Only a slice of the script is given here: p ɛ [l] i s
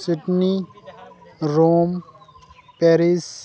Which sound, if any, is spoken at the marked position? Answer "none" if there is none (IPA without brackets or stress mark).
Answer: ɾ